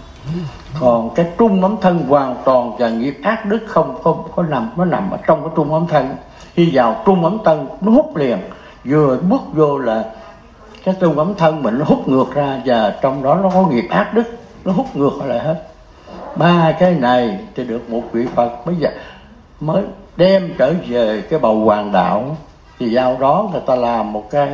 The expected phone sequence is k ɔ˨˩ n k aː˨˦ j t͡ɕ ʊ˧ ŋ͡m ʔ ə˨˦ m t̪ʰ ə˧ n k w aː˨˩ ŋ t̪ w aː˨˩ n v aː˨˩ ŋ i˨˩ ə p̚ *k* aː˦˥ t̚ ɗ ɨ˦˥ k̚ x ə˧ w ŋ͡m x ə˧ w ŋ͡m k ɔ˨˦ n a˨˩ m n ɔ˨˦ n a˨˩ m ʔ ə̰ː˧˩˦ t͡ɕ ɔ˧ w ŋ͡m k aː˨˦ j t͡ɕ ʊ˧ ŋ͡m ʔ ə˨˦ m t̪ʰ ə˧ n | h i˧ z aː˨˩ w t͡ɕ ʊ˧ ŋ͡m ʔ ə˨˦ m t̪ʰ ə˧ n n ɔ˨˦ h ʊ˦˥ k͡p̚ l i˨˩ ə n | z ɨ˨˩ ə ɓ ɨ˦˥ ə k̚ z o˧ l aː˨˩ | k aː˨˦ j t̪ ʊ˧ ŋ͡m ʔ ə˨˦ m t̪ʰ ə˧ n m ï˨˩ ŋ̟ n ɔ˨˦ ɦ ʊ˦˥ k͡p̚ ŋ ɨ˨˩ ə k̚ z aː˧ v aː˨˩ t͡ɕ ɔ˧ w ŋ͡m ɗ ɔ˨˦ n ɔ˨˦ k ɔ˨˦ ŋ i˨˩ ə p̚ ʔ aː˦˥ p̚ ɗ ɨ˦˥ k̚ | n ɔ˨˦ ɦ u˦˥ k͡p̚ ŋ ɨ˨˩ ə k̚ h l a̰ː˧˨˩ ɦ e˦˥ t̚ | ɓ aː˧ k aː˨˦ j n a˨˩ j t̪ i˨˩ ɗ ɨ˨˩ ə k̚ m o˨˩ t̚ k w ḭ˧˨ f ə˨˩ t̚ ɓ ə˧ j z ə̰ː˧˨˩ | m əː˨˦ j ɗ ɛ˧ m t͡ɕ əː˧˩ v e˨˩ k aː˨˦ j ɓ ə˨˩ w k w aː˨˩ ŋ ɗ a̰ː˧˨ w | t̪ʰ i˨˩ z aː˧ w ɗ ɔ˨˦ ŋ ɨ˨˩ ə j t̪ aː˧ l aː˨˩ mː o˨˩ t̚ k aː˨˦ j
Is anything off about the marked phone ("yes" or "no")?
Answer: yes